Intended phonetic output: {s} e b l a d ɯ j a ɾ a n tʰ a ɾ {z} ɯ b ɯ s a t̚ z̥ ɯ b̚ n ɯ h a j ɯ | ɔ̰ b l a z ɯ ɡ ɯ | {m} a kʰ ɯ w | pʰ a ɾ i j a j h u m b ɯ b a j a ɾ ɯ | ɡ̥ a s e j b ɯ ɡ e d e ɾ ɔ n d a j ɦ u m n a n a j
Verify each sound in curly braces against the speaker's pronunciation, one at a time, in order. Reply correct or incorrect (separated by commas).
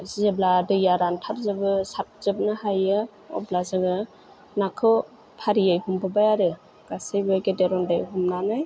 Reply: incorrect, correct, incorrect